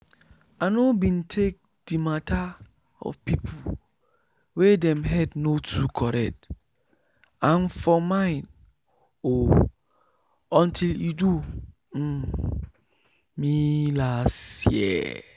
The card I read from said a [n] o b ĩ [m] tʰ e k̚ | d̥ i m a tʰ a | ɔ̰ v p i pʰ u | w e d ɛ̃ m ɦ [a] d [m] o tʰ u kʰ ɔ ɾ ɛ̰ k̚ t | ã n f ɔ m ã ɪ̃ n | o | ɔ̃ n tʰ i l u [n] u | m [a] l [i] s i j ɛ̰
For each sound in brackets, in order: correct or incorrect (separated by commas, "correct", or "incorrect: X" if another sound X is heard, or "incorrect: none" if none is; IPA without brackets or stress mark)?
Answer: correct, incorrect: n, incorrect: ɛ, incorrect: n, incorrect: d, incorrect: i, incorrect: a